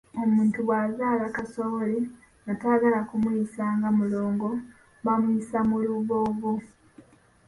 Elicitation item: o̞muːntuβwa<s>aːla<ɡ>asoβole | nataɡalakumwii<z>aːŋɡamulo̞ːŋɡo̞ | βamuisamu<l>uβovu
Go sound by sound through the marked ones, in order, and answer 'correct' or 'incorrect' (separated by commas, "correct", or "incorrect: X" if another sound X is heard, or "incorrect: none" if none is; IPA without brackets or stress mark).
incorrect: z, incorrect: k, incorrect: s, correct